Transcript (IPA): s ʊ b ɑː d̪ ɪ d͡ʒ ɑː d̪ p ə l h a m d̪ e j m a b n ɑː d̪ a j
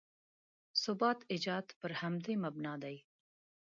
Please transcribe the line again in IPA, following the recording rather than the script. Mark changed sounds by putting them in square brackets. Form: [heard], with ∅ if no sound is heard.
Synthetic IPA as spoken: s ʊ b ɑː [t̪] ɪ d͡ʒ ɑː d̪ p ə [ɾ] h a m d̪ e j m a b n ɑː d̪ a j